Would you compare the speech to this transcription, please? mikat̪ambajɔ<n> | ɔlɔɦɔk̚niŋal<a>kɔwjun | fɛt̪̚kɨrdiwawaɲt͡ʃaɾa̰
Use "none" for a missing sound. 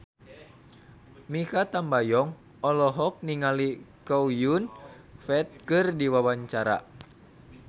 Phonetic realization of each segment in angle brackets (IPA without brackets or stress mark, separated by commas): ŋ, i